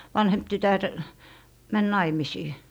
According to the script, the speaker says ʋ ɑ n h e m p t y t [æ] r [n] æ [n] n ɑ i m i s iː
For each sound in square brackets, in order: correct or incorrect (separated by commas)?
correct, incorrect, correct